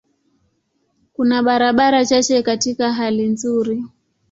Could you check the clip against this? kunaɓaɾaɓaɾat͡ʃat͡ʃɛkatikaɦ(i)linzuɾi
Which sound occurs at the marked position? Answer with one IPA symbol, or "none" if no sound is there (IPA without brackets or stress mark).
a